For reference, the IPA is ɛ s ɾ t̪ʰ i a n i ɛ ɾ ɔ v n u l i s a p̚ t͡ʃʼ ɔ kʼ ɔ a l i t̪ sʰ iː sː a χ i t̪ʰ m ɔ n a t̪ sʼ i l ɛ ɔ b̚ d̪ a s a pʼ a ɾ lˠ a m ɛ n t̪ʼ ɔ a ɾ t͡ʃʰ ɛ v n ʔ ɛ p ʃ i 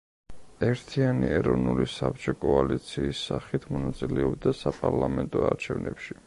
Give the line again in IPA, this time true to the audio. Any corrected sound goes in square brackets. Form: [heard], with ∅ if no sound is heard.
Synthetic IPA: ɛ [∅] ɾ t̪ʰ i a n i ɛ ɾ ɔ v n u l i s a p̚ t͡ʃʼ ɔ kʼ ɔ a l i t̪ sʰ iː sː a χ i t̪ʰ m ɔ n a t̪ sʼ i l ɛ ɔ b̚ d̪ a s a pʼ a ɾ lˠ a m ɛ n t̪ʼ ɔ a ɾ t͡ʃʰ ɛ v n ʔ ɛ p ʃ i